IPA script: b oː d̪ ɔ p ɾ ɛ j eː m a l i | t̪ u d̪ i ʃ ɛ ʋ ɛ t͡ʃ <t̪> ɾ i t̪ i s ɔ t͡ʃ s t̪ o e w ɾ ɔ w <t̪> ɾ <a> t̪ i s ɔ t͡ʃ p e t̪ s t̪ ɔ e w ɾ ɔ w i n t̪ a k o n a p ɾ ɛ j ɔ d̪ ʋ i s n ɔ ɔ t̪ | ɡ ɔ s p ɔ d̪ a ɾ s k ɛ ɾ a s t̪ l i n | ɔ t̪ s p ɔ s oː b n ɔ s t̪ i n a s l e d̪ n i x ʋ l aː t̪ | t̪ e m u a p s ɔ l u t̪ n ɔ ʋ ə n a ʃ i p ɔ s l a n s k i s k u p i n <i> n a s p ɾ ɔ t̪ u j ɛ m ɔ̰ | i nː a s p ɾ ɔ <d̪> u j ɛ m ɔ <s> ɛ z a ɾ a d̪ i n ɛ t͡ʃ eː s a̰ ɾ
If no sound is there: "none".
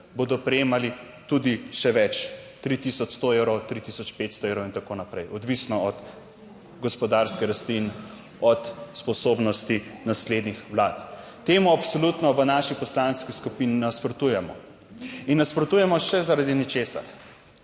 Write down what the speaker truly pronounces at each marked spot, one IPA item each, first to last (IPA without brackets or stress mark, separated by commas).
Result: t̪, t̪, i, i, t̪, ʃ